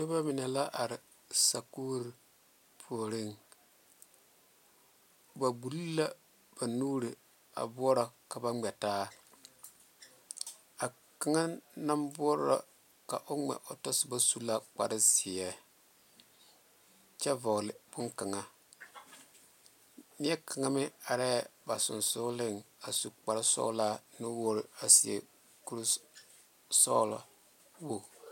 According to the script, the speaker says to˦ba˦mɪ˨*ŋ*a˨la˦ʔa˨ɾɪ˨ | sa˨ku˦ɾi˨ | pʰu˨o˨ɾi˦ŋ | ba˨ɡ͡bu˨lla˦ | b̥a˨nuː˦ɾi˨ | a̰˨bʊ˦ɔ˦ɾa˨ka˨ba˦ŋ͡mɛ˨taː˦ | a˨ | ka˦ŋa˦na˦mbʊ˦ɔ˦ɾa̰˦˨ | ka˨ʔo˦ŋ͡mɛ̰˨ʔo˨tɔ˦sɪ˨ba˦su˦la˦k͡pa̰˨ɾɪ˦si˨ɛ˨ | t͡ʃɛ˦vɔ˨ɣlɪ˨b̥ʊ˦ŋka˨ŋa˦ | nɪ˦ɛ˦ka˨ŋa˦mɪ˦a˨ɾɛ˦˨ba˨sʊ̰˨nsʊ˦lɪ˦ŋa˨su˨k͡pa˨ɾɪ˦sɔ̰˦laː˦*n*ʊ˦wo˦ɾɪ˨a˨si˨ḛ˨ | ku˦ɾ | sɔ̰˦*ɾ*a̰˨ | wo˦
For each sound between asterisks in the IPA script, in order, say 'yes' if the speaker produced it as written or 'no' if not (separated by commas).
no, yes, no